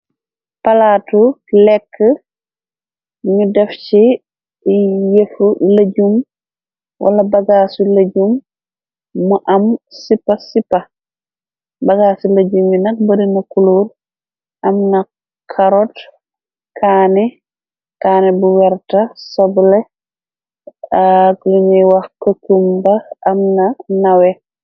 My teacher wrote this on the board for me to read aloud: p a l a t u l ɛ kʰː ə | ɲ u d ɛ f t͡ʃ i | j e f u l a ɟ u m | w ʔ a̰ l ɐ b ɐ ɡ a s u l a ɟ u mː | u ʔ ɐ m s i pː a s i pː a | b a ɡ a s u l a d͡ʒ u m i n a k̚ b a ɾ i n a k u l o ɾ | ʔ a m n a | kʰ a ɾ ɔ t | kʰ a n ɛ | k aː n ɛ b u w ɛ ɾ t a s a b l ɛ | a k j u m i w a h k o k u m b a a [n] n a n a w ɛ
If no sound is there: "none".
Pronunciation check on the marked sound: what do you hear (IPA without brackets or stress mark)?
m